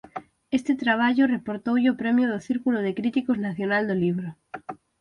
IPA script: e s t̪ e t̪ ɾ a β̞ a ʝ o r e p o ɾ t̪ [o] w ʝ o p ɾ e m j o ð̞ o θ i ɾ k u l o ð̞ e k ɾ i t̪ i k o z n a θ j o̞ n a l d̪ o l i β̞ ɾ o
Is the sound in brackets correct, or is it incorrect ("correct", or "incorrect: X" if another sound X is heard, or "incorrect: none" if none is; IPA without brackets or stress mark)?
correct